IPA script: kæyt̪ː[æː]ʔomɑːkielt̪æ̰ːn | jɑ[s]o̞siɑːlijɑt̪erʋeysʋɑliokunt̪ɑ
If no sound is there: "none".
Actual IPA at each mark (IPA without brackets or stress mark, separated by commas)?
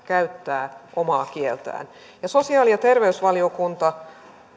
æː, s